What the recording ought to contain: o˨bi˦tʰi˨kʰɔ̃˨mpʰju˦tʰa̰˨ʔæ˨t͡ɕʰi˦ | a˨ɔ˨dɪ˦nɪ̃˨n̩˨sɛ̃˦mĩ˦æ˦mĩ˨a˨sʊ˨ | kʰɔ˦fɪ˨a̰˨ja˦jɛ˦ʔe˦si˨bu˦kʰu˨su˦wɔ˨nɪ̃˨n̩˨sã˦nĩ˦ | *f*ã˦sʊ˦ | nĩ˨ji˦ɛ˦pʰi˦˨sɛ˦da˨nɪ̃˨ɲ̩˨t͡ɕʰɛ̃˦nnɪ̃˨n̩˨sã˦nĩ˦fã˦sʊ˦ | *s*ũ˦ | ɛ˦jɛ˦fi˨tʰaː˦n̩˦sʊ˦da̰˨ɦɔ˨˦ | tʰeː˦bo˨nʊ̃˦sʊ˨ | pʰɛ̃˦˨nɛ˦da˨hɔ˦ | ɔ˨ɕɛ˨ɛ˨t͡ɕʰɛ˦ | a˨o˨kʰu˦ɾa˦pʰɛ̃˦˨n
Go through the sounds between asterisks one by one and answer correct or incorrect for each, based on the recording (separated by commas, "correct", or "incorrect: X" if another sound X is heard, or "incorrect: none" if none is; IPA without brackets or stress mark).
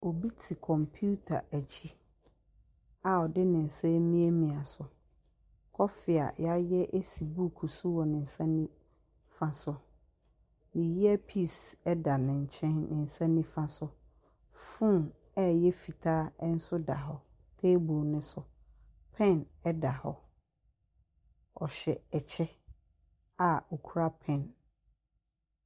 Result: correct, incorrect: f